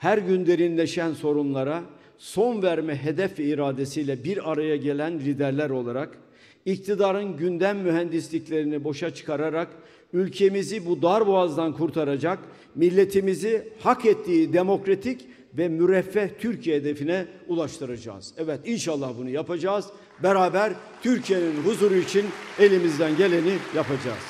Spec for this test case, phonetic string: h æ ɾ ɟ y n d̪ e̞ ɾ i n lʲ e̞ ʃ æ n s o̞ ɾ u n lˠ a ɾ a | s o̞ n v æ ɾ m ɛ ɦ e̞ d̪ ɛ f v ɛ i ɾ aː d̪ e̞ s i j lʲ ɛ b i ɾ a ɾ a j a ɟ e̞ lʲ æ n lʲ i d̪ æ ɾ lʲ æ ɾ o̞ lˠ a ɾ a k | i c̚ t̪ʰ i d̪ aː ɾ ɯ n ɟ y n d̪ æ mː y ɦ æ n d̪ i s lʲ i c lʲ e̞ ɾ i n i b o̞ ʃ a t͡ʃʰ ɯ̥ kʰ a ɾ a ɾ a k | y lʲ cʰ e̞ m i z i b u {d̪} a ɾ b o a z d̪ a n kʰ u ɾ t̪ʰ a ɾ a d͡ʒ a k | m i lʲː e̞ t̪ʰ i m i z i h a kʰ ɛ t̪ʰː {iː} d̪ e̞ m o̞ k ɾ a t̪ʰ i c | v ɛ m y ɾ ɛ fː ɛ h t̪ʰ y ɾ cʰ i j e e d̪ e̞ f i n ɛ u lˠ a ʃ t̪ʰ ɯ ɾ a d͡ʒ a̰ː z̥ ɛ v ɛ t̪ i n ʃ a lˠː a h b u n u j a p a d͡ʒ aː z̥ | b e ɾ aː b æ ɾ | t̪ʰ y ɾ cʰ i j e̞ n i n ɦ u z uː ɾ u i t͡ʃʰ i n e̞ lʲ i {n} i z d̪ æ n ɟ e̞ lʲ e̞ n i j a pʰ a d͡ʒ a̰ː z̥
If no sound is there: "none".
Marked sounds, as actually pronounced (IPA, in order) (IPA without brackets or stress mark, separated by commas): d̪, iː, m